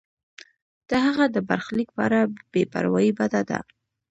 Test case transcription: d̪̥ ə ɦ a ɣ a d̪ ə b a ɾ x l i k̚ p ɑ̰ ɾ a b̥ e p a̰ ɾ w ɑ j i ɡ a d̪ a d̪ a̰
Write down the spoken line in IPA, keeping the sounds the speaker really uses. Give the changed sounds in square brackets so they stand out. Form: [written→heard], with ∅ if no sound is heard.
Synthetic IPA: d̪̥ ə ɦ a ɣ a d̪ ə b a ɾ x l i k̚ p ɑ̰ ɾ a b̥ e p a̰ ɾ w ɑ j i [ɡ→b] a d̪ a d̪ a̰